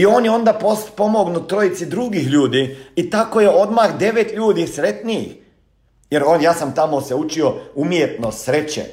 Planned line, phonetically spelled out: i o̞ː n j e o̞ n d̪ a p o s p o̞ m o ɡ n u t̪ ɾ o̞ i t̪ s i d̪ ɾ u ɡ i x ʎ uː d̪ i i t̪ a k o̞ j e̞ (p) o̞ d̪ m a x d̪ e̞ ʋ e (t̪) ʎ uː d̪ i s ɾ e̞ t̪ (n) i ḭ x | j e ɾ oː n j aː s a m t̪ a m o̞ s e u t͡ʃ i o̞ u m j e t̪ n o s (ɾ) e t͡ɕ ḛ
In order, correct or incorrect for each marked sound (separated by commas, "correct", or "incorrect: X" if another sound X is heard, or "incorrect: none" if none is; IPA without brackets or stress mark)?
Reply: incorrect: none, correct, correct, correct